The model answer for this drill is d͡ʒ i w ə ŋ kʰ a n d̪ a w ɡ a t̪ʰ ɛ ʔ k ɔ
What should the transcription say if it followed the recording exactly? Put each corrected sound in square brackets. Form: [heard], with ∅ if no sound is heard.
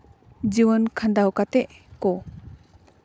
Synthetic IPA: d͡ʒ i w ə [n] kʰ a n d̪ a w [k] a [t̪] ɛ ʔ k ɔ